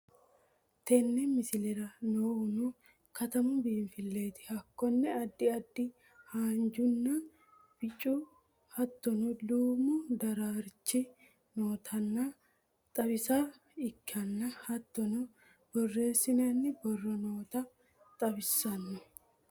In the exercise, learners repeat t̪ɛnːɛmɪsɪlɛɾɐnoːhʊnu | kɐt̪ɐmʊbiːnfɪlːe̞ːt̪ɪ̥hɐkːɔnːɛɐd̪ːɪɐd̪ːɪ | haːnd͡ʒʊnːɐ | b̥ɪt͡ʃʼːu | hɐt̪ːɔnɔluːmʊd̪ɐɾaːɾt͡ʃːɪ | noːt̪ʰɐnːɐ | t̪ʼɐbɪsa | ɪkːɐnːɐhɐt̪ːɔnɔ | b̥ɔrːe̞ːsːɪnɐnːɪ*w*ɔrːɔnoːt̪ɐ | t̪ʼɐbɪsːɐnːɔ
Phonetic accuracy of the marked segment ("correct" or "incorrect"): incorrect